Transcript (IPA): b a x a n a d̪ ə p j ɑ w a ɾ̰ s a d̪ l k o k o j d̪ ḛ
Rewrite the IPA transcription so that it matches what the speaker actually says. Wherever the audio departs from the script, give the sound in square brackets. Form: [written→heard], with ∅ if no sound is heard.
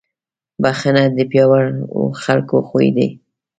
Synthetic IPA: b a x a n a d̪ ə p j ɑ w a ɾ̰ [s→x] a [d̪→∅] l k o [k→x] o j d̪ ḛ